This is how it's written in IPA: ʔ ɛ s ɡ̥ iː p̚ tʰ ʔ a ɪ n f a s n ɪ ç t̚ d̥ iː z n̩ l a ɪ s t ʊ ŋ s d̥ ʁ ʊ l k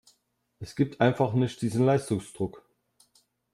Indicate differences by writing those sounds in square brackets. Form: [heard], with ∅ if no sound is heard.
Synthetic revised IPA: ʔ ɛ s ɡ̥ iː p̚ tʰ ʔ a ɪ n f a [χ] n ɪ ç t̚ d̥ iː z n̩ l a ɪ s t ʊ ŋ s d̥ ʁ ʊ [∅] k